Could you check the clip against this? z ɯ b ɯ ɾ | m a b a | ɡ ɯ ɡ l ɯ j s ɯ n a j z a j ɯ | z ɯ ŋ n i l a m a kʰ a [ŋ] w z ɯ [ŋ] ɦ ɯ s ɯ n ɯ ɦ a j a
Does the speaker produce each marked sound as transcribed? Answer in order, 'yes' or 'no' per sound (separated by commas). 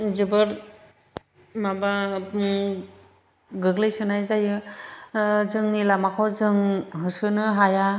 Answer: no, yes